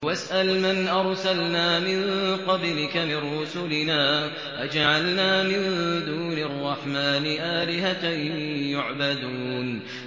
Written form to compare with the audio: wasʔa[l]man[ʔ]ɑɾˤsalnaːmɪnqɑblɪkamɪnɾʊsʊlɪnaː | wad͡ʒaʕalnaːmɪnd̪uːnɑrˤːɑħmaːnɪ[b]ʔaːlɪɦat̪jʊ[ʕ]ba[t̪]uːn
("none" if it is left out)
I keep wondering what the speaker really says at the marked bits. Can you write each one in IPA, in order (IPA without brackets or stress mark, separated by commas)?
l, ʔ, none, ʕ, d̪